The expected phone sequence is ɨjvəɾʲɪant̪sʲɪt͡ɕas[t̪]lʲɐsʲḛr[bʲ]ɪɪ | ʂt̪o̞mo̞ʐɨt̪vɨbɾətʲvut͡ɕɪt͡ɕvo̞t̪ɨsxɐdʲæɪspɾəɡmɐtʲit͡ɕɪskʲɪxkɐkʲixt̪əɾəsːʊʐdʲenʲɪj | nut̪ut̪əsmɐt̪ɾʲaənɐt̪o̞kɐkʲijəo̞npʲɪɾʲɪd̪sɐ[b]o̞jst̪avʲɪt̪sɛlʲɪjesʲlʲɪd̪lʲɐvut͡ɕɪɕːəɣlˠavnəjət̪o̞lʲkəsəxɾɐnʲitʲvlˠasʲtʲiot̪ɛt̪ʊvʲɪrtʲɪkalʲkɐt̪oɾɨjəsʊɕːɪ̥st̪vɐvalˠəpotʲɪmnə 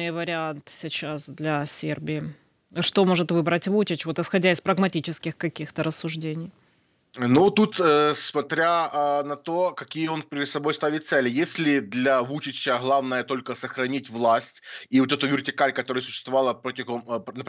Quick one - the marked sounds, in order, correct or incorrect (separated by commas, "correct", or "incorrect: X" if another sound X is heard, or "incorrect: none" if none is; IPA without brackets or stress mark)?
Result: incorrect: d̪, correct, correct